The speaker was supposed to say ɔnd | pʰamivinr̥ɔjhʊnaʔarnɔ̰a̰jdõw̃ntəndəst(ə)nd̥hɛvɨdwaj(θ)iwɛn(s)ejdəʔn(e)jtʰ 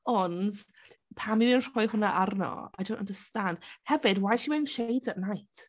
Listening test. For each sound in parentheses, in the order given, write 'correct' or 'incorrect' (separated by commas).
incorrect, incorrect, incorrect, incorrect